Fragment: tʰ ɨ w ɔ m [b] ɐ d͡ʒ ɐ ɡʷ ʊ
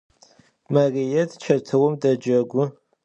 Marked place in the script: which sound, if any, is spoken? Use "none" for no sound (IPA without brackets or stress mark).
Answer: d